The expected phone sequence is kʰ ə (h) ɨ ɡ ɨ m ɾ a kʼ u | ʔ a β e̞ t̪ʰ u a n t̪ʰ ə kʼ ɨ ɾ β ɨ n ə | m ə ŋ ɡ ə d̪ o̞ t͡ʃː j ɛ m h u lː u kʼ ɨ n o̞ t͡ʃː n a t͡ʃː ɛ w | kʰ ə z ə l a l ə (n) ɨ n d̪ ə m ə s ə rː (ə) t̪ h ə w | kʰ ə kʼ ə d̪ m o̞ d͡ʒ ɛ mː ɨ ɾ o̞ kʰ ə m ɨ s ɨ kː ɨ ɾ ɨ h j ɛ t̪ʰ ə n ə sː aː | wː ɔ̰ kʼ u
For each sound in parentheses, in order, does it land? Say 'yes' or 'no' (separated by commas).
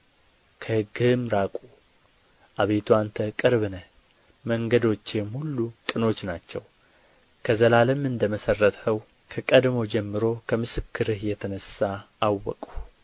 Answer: yes, no, yes